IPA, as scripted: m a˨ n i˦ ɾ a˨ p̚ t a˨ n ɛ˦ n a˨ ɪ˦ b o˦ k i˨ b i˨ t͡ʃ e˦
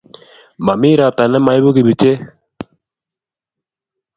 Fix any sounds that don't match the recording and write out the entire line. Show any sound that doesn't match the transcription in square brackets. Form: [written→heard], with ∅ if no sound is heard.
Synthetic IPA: m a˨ [n→m] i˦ ɾ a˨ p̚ t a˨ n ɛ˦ [n→m] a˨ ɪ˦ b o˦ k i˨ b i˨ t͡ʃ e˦